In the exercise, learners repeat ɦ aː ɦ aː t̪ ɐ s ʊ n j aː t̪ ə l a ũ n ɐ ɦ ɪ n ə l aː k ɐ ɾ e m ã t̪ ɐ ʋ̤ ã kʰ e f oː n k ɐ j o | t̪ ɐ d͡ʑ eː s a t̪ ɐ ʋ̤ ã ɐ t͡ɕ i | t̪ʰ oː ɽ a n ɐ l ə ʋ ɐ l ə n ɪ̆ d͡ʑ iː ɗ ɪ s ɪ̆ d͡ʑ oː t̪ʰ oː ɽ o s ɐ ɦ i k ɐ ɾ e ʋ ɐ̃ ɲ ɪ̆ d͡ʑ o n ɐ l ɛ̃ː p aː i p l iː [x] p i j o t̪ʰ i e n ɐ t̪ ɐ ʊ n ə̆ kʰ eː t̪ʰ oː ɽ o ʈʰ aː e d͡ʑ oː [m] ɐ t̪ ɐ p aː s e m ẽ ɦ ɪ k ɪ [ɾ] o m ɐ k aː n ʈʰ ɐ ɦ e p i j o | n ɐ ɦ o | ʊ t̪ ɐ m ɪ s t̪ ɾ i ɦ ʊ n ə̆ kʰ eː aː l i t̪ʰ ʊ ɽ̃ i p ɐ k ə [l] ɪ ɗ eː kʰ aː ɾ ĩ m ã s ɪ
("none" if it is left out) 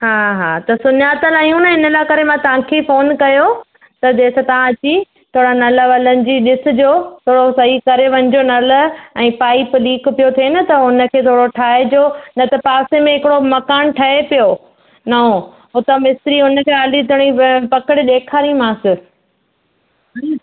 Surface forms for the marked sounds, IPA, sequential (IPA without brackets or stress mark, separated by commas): k, n, ɽ, ɽ